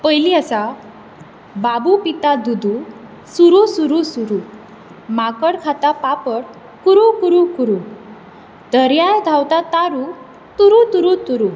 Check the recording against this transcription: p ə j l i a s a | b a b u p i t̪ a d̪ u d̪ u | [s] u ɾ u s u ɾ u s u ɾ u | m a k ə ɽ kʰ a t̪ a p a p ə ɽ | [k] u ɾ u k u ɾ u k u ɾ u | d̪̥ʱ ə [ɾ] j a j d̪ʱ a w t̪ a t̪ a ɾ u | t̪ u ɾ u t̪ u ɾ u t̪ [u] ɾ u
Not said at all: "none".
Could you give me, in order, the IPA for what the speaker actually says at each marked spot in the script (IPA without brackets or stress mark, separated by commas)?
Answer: s, k, ɾ, u